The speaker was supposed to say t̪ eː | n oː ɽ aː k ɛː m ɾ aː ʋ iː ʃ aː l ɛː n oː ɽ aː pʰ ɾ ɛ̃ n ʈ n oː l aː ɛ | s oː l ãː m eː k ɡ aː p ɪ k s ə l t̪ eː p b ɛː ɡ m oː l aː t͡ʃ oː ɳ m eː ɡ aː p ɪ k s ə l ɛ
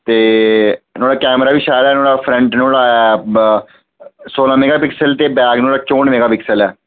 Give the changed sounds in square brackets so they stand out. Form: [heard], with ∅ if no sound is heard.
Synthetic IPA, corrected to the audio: t̪ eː | n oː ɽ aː k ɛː m ɾ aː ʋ iː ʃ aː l ɛː n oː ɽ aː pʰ ɾ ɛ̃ [ɳ] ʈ n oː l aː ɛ | s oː l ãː m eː [∅] ɡ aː p ɪ k s ə l t̪ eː [∅] b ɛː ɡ [n] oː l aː t͡ʃ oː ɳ m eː ɡ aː p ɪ k s ə l [ɛː]